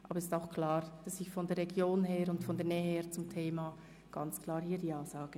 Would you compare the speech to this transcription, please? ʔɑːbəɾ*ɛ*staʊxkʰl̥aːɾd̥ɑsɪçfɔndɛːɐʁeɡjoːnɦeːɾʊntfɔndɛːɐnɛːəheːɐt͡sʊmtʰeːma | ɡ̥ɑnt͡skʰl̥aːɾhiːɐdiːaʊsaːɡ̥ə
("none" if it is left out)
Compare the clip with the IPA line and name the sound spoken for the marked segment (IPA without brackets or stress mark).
ɛ